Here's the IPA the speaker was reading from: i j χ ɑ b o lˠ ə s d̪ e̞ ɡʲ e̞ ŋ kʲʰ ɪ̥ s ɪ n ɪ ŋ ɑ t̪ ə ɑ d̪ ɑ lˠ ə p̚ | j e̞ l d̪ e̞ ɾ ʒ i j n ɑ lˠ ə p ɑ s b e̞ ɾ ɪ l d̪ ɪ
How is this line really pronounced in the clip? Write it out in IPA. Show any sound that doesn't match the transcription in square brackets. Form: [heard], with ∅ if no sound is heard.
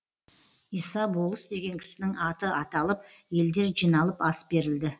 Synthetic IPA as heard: i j [s] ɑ b o lˠ ə s d̪ e̞ ɡʲ e̞ ŋ kʲʰ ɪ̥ s ɪ n ɪ ŋ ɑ t̪ ə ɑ [t̪] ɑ lˠ ə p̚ | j e̞ l d̪ e̞ ɾ ʒ i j n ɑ lˠ ə p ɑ s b e̞ ɾ ɪ l d̪ ɪ